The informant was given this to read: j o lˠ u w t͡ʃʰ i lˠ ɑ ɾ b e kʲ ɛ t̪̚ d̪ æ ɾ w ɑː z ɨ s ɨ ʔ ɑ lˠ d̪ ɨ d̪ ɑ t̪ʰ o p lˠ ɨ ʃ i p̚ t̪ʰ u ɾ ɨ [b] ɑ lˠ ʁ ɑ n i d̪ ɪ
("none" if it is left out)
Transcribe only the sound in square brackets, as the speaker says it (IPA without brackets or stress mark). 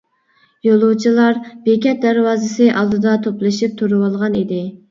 w